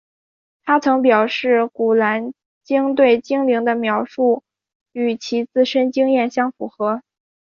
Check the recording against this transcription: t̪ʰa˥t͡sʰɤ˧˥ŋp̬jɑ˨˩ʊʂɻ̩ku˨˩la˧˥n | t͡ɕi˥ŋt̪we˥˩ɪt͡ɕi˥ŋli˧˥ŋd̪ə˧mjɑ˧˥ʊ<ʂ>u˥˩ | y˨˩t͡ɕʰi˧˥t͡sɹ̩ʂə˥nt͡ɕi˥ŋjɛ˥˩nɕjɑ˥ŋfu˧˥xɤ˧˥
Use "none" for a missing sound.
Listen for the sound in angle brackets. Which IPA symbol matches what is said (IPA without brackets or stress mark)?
ʂ